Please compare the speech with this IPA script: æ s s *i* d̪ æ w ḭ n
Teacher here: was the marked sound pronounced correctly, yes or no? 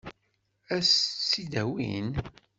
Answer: yes